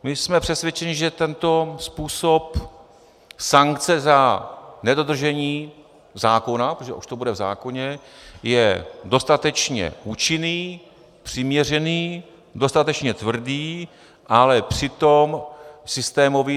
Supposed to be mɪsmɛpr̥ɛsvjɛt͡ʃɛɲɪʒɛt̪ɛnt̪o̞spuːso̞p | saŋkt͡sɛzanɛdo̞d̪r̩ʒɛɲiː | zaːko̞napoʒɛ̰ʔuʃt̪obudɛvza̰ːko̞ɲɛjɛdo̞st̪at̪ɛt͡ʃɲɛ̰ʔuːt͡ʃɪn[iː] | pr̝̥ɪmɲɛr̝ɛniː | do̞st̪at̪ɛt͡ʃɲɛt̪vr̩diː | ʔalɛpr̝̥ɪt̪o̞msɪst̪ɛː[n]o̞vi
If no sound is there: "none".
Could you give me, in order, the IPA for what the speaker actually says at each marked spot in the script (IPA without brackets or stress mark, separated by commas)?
iː, m